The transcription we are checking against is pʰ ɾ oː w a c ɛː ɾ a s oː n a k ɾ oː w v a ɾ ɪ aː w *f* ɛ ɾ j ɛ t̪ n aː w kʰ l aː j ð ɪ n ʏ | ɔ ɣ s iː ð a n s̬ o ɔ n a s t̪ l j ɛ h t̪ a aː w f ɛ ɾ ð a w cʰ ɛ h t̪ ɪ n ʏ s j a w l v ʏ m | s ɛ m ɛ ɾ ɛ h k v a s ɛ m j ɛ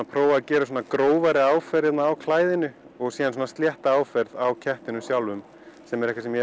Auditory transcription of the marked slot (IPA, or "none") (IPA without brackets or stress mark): f